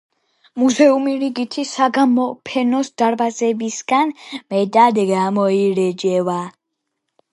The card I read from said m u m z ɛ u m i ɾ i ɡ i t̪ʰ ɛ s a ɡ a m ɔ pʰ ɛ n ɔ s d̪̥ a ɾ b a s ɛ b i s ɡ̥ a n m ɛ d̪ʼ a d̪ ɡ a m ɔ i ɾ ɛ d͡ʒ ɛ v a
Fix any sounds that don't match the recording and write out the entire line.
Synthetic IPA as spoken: m u z ɛ u m i ɾ i ɡ i t̪ʰ i s a ɡ a m ɔ pʰ ɛ n ɔ s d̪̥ a ɾ b a z ɛ b i s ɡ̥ a n m ɛ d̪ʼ a d̪ ɡ a m ɔ i ɾ ɛ d͡ʒ ɛ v a